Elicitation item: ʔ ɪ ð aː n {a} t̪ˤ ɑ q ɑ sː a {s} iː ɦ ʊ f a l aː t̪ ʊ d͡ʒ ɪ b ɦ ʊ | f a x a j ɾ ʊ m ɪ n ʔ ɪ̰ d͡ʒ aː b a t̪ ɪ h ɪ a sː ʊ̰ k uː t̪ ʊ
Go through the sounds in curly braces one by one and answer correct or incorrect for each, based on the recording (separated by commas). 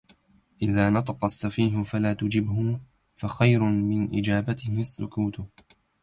incorrect, incorrect